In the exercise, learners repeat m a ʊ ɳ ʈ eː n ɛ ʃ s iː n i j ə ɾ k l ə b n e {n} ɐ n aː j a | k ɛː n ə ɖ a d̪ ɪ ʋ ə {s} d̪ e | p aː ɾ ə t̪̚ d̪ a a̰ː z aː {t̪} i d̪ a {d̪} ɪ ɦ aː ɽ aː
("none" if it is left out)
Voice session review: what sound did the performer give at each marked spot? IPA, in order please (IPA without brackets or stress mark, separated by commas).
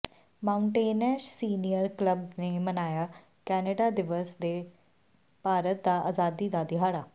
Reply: m, s, d̪, d̪